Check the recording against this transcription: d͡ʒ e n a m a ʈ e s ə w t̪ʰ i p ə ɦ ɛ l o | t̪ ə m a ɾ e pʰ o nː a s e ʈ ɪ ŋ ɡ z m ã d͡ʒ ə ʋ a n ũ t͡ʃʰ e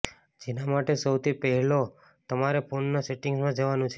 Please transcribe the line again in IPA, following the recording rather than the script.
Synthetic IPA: d͡ʒ e n a m a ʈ e s ə w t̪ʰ i p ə ɦ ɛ l o | t̪ ə m a ɾ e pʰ o nː a s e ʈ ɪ ŋ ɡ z m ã d͡ʒ ə ʋ a n ũ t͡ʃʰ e